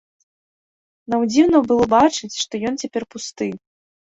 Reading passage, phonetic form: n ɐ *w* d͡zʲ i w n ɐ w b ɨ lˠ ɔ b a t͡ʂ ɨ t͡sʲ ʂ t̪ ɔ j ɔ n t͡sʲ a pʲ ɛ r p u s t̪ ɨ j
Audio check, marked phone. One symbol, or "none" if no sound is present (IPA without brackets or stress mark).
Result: w